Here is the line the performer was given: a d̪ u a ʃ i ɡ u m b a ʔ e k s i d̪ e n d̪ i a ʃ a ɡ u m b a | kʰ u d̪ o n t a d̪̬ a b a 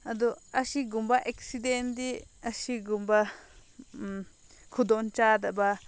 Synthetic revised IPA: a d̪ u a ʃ i ɡ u m b a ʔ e k s i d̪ e n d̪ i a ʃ i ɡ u m b a | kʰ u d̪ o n t͡ʃ a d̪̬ a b a